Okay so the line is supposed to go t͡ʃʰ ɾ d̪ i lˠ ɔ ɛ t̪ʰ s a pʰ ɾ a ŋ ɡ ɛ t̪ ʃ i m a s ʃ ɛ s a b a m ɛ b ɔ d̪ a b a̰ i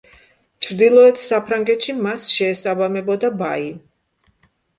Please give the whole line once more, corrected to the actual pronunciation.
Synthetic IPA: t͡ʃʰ ɾ d̪ i lˠ ɔ ɛ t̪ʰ s a pʰ ɾ a ŋ ɡ ɛ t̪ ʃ i m a s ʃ ɛː s a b a m ɛ b ɔ d̪ a b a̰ i